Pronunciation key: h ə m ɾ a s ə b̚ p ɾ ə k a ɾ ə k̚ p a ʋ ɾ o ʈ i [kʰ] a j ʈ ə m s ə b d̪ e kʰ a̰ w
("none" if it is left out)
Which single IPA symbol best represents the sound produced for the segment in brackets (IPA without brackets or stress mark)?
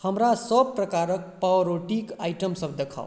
k